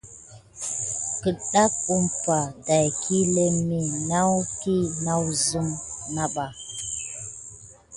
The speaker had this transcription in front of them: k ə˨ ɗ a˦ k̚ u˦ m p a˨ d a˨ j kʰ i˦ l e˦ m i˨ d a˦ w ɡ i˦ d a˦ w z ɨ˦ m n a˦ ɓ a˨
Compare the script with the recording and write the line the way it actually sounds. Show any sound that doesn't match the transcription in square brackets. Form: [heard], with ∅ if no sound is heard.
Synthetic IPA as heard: k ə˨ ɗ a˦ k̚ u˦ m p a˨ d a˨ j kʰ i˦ l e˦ m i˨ [n] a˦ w [k] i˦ [n] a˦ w z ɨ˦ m n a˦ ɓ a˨